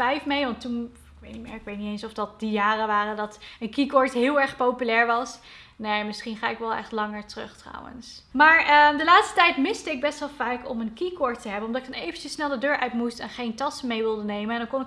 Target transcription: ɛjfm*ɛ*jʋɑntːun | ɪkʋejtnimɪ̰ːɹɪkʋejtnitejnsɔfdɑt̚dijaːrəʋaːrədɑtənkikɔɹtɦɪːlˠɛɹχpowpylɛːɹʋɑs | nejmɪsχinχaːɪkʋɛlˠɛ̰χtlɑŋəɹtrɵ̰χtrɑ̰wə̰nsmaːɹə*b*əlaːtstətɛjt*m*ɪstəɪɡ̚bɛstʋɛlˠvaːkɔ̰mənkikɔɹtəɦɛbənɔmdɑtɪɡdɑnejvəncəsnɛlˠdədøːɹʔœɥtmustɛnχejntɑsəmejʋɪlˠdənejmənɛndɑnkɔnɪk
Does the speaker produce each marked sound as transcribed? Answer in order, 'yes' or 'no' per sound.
no, no, yes

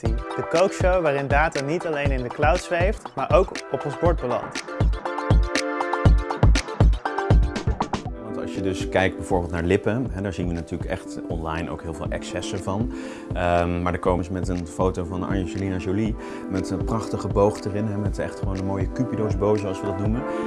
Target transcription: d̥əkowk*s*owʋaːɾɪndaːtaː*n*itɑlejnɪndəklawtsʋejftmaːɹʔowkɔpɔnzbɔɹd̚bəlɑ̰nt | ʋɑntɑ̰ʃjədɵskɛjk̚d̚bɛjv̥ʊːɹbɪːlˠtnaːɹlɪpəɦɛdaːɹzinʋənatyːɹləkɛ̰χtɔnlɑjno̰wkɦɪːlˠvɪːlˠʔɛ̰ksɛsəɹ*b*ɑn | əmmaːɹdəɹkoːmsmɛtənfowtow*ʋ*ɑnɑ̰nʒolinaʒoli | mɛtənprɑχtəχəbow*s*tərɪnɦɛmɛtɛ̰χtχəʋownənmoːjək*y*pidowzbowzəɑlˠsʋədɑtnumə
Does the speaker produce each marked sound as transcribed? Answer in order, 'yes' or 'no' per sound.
no, yes, no, no, no, yes

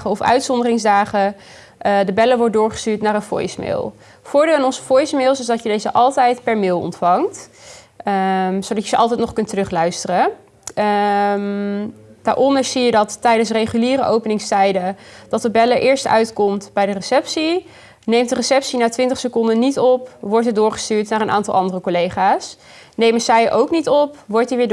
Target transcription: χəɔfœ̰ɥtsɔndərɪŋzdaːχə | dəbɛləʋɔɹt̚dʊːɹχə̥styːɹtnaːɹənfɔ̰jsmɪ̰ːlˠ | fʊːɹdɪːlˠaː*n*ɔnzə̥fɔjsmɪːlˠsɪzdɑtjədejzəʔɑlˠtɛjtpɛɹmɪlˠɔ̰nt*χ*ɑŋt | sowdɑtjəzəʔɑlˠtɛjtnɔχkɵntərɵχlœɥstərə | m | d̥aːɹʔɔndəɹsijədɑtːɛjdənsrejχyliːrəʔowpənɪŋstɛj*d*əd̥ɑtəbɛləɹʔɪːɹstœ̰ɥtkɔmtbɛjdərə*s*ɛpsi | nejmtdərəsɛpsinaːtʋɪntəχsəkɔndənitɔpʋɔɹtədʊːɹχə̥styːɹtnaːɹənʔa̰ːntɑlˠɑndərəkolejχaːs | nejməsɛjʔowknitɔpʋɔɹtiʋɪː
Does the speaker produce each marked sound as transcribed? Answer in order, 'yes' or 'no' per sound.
yes, no, yes, yes

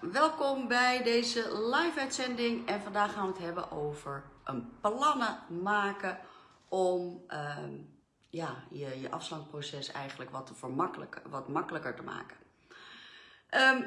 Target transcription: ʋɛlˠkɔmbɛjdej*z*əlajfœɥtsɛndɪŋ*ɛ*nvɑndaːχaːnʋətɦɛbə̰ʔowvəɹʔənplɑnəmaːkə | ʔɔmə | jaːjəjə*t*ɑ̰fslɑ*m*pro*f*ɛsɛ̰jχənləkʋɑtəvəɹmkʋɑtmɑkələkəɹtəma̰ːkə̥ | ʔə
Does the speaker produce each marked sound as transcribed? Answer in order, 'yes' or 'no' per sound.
yes, yes, no, no, no

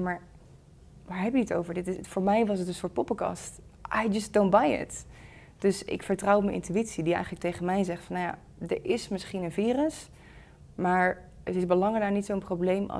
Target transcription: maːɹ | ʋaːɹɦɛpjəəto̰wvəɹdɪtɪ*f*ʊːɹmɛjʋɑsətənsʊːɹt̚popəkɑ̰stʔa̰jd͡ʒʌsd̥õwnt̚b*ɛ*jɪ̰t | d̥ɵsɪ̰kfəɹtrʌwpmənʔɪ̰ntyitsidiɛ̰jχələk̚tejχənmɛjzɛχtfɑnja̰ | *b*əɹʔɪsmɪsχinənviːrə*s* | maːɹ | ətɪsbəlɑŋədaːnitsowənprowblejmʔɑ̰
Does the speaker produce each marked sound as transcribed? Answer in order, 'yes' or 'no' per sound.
yes, no, no, yes

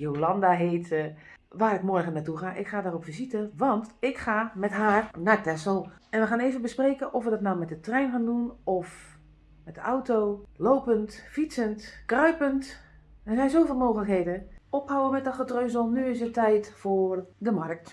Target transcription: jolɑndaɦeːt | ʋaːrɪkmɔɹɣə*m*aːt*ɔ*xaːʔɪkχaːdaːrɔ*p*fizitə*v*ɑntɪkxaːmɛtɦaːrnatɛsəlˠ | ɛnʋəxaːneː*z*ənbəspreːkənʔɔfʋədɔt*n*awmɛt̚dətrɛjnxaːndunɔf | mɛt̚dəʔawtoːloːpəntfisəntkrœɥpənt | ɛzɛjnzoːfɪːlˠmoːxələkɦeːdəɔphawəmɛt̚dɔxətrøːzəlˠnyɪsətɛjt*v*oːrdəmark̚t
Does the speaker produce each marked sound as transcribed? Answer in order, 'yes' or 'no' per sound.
no, no, yes, no, no, yes, no

